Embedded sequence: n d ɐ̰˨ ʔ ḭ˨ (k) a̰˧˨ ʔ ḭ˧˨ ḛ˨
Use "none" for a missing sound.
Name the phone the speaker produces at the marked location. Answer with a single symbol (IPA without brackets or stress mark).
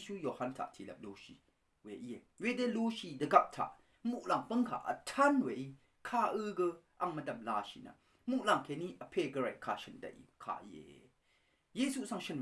kʰ